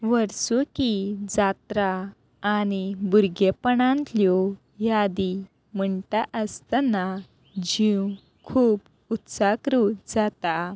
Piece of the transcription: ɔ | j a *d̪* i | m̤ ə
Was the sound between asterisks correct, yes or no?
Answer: yes